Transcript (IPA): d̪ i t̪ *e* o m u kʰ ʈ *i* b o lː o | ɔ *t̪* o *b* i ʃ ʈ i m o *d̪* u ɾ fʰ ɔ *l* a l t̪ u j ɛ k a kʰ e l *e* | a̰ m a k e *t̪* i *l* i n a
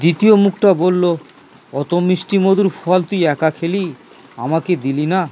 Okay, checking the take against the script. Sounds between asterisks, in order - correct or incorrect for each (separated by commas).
incorrect, incorrect, correct, incorrect, correct, incorrect, incorrect, incorrect, correct